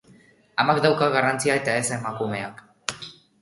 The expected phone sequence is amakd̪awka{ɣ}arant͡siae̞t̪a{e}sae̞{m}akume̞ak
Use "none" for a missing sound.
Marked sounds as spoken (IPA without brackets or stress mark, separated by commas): ɣ, e, m